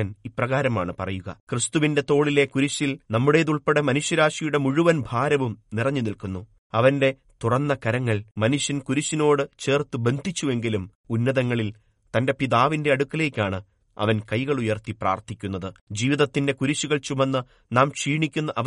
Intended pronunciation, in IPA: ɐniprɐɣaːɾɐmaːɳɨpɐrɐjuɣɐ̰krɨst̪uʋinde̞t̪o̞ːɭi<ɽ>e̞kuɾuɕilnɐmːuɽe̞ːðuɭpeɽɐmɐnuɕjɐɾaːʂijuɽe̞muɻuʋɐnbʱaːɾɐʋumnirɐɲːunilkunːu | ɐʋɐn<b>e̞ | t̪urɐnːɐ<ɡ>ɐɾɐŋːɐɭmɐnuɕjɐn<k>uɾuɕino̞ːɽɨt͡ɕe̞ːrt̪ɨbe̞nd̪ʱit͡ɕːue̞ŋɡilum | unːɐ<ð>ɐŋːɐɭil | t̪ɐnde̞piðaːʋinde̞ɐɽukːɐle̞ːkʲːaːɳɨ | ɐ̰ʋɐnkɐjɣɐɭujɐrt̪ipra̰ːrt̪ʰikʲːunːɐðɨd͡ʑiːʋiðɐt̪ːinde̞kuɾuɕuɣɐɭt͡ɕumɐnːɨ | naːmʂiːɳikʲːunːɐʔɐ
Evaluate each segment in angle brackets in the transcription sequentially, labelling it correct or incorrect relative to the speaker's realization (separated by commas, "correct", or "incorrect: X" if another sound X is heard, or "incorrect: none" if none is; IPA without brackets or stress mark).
incorrect: l, incorrect: d, incorrect: k, correct, correct